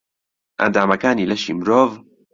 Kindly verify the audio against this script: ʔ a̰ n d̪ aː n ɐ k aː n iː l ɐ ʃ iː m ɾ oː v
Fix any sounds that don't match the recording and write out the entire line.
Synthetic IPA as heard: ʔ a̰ n d̪ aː m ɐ k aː n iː l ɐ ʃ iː m ɾ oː v